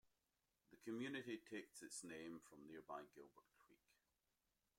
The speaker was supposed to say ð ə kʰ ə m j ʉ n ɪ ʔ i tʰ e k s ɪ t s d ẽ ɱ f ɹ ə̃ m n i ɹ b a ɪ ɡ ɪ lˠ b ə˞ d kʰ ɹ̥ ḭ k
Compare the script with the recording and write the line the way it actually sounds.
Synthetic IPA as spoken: ð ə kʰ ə m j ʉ n ɪ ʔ i tʰ e k s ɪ t s n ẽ ɱ f ɹ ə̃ m n i ɹ b a ɪ ɡ ɪ lˠ b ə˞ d kʰ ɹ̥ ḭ k